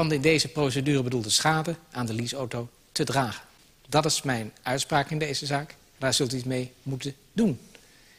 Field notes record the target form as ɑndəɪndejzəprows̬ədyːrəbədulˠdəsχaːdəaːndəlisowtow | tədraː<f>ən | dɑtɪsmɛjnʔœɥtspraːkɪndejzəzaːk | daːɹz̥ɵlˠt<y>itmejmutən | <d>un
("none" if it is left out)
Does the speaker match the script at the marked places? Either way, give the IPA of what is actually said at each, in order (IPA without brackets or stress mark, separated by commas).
χ, y, d